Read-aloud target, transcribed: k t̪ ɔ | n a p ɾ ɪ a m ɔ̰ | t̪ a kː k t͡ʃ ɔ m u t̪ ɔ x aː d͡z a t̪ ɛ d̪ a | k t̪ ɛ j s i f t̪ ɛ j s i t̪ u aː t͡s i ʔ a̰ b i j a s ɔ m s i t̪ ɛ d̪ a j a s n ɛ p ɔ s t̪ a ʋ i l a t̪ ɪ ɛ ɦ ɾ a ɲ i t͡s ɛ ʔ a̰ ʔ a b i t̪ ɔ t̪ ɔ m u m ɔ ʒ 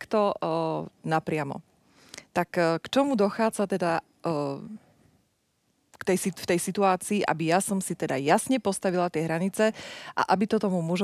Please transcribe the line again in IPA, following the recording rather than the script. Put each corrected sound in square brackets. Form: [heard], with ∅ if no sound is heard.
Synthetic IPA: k t̪ ɔ | n a p ɾ ɪ a m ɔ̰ | t̪ a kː k t͡ʃ ɔ m u [d̪] ɔ x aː d͡z a t̪ ɛ d̪ a | k t̪ ɛ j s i f t̪ ɛ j s i t̪ u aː t͡s [iː] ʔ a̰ b i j a s ɔ m s i t̪ ɛ d̪ a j a s [ɲ] ɛ p ɔ s t̪ a ʋ i l a t̪ ɪ ɛ ɦ ɾ a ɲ i t͡s ɛ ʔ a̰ ʔ a b i t̪ ɔ t̪ ɔ m u m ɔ ʒ